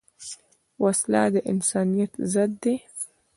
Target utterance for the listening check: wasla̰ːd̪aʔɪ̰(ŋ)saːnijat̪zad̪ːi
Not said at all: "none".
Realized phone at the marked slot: n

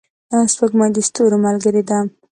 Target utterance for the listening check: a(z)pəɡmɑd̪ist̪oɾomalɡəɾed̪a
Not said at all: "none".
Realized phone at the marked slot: s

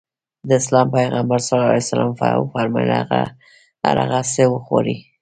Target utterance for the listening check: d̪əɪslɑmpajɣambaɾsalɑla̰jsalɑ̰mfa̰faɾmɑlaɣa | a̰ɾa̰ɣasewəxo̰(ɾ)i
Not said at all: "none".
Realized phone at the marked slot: ɾ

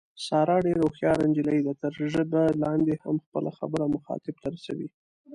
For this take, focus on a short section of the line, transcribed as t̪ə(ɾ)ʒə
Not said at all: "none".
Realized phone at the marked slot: ɾ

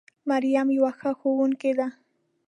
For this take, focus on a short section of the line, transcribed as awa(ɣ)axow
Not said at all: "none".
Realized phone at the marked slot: x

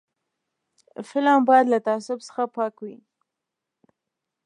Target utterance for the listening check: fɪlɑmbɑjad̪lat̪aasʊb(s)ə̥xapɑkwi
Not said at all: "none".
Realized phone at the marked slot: s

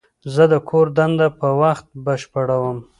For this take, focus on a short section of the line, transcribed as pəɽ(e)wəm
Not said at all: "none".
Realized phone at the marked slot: a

